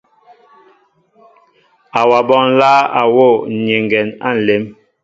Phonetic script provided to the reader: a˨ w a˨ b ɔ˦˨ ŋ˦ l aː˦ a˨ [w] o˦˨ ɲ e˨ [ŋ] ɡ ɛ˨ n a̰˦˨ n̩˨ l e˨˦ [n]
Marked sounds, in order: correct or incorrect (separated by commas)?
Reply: correct, correct, incorrect